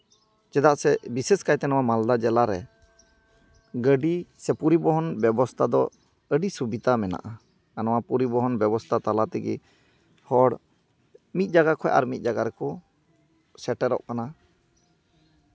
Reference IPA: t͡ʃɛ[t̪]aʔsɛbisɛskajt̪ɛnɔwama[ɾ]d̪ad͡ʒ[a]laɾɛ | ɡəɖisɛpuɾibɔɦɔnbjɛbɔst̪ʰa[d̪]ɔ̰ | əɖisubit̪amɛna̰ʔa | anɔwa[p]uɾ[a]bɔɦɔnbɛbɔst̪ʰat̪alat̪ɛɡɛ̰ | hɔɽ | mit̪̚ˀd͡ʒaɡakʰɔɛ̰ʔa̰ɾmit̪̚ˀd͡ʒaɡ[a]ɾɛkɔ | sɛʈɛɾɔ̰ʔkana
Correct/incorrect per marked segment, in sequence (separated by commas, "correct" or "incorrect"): incorrect, incorrect, incorrect, correct, correct, incorrect, correct